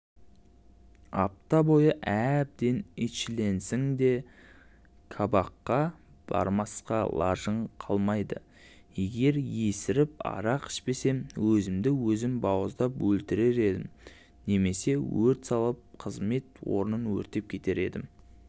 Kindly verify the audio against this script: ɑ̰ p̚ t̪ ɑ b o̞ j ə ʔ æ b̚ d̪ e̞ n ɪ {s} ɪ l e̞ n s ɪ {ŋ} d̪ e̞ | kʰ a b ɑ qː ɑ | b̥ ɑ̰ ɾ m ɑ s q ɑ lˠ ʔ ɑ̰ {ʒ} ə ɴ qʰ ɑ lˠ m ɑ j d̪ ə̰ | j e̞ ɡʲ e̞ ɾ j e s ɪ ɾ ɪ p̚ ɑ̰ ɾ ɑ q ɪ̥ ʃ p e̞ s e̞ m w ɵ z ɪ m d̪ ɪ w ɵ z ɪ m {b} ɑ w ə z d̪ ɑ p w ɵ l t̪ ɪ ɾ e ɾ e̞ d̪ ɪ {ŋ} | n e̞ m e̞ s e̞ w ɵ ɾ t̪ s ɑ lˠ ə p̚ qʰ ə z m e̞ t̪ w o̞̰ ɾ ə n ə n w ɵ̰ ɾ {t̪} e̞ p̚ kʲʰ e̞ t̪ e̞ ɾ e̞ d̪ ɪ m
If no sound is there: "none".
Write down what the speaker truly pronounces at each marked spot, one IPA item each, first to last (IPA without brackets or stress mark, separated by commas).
ʃ, ŋ, ʒ, b, m, t̪